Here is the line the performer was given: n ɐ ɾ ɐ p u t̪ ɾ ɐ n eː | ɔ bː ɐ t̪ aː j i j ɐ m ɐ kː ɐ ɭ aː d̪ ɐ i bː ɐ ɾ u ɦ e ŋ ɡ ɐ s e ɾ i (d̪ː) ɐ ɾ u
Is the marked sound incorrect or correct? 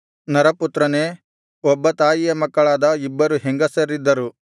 correct